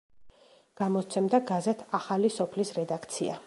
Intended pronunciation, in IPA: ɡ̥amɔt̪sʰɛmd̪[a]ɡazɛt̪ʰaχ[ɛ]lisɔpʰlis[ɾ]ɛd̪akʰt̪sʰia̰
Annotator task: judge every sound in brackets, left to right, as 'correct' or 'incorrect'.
correct, incorrect: a, correct

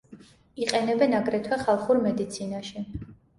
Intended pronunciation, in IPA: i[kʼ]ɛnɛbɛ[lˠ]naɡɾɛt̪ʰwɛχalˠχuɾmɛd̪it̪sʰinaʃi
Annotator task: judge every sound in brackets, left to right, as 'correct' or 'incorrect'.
incorrect: qʼ, incorrect: none

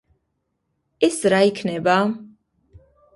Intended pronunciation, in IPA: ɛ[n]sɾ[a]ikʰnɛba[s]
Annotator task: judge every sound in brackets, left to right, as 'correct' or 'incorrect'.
incorrect: none, correct, incorrect: none

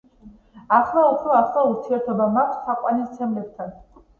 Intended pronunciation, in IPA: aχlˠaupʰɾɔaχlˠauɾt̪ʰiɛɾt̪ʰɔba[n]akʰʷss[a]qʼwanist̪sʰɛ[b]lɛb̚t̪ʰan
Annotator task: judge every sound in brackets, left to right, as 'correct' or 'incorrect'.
incorrect: m, correct, incorrect: m

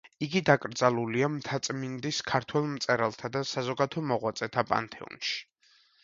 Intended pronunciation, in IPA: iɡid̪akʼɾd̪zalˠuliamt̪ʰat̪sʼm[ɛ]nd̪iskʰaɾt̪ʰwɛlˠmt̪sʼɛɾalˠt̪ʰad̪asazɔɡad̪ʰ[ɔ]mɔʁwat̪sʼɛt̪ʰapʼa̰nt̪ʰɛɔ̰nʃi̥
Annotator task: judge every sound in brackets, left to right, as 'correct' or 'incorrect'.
incorrect: i, correct

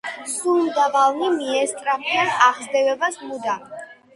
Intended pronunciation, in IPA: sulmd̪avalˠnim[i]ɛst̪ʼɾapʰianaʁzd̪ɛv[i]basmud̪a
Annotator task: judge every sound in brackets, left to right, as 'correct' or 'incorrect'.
correct, incorrect: ɛ

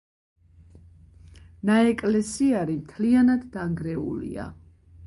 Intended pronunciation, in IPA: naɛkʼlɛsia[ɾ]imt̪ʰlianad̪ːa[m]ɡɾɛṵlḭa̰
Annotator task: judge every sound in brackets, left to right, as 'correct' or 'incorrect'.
correct, incorrect: ŋ

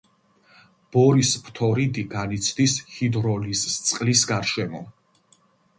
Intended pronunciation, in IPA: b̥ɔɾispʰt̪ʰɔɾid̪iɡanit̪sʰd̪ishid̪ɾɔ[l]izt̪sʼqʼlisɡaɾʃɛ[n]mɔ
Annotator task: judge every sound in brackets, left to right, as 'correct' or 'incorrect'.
correct, incorrect: none

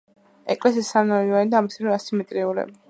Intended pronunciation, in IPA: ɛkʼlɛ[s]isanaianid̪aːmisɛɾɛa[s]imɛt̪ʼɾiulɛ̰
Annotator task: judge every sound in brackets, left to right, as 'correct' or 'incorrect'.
correct, correct

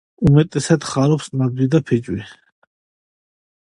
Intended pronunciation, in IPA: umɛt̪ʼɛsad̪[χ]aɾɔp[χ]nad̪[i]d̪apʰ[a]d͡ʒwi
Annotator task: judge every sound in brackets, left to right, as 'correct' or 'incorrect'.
correct, incorrect: s, correct, incorrect: ɛ

